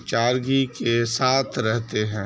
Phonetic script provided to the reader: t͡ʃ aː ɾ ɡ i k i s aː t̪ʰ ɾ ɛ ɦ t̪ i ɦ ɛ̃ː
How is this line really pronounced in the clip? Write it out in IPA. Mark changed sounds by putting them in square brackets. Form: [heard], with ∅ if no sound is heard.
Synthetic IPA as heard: t͡ʃ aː ɾ ɡ i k [e] s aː t̪ʰ ɾ ɛ ɦ t̪ [e] ɦ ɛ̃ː

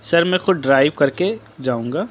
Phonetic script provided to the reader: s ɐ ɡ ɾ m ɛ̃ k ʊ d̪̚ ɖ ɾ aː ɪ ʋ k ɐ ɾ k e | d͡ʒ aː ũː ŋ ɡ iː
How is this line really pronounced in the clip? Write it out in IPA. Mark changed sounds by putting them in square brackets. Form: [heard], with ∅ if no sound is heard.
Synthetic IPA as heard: s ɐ [∅] ɾ m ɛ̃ [x] ʊ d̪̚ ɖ ɾ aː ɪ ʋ k ɐ ɾ k e | d͡ʒ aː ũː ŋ ɡ [aː]

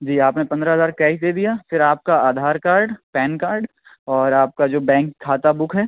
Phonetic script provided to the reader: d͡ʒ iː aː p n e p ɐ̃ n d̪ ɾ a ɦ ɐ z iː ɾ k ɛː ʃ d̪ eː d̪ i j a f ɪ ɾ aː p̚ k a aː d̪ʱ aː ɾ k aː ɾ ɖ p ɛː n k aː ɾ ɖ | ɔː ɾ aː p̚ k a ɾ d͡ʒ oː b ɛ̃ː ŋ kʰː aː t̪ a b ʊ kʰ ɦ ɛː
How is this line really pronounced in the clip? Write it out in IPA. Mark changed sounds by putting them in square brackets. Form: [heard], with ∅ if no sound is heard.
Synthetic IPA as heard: d͡ʒ iː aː p n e p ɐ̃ n d̪ ɾ a ɦ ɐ z [aː] ɾ k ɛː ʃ d̪ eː d̪ i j a f ɪ ɾ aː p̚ k a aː d̪ʱ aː ɾ k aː ɾ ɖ p ɛː n k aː ɾ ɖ | ɔː ɾ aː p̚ k a [∅] d͡ʒ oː b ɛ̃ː ŋ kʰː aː t̪ a b ʊ kʰ ɦ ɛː

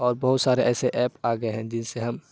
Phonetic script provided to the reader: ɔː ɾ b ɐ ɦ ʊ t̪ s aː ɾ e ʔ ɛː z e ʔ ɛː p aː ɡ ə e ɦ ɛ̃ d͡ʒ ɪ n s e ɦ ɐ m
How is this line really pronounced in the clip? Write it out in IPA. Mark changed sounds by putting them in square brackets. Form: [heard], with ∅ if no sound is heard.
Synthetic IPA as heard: ɔː ɾ b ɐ ɦ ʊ t̪ s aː ɾ e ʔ ɛː [s] e ʔ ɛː p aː ɡ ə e ɦ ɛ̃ d͡ʒ ɪ n s e ɦ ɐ m

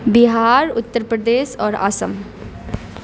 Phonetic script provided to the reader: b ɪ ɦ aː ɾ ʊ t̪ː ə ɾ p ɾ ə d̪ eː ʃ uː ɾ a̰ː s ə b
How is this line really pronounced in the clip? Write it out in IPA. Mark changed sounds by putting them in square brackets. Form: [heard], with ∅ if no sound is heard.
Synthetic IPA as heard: b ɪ ɦ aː ɾ ʊ t̪ː ə ɾ p ɾ ə d̪ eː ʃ [ɔː] ɾ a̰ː s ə [m]

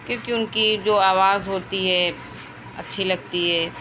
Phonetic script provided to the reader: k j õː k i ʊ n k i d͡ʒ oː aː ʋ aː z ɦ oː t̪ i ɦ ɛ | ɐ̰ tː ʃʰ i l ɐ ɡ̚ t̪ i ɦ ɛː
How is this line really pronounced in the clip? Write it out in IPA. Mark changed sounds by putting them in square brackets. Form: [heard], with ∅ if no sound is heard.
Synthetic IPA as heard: k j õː k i ʊ n k i d͡ʒ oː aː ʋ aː z ɦ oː t̪ i ɦ ɛ | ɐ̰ tː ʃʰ i l ɐ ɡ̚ t̪ i ɦ ɛː

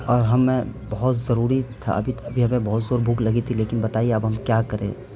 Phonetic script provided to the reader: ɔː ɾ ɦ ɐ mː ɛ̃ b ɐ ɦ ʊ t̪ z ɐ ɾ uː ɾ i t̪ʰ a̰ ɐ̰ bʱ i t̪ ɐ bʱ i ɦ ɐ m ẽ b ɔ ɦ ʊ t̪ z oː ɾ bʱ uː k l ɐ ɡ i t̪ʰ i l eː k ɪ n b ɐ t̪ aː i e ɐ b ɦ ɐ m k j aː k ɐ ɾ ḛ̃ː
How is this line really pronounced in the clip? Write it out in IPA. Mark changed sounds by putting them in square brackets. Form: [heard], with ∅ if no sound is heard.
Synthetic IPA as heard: ɔː ɾ ɦ ɐ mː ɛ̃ b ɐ ɦ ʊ t̪ z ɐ ɾ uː ɾ i t̪ʰ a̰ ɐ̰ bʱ i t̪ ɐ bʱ i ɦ ɐ m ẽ b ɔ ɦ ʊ t̪ z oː ɾ bʱ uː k l ɐ ɡ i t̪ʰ i l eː k ɪ n b ɐ t̪ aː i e ɐ b ɦ ɐ m k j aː k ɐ ɾ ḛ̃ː

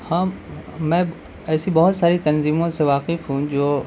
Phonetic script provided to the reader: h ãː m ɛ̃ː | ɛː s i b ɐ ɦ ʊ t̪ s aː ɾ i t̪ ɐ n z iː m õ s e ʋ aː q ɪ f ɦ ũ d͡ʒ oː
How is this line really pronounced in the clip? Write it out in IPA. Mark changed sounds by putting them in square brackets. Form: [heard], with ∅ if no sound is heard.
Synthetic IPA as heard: h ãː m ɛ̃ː | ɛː s i b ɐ ɦ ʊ t̪ s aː ɾ i t̪ ɐ n z iː m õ s e ʋ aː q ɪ f ɦ ũ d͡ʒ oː

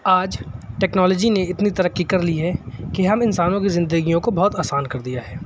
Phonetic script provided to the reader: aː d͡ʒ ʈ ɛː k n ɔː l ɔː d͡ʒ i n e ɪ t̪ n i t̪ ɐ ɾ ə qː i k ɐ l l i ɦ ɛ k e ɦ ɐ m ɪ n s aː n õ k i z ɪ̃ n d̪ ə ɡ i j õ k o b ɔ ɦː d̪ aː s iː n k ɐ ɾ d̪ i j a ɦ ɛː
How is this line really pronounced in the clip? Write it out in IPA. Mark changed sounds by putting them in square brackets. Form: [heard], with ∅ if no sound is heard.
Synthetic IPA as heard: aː d͡ʒ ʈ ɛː k n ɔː l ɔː d͡ʒ i n e ɪ t̪ n i t̪ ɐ ɾ ə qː i k ɐ [ɾ] l i ɦ ɛ k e ɦ ɐ m ɪ n s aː n õ k i z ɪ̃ n d̪ ə ɡ i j õ k o b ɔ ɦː [t̪] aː s [aː] n k ɐ ɾ d̪ i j a ɦ ɛː

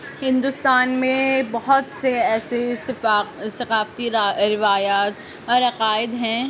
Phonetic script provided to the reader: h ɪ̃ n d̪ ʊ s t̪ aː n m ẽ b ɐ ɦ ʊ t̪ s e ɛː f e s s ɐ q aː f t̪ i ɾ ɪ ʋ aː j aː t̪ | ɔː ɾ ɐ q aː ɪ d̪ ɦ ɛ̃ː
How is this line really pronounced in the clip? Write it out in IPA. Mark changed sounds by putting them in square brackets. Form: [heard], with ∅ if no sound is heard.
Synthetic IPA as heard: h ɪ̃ n d̪ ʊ s t̪ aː n m ẽ b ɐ ɦ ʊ t̪ s e ɛː [s] e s s ɐ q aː f t̪ i ɾ ɪ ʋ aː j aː t̪ | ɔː ɾ ɐ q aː ɪ d̪ ɦ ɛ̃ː

